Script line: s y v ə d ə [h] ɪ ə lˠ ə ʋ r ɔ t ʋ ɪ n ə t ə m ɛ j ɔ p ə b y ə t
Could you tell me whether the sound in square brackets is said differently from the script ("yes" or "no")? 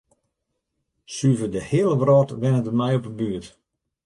no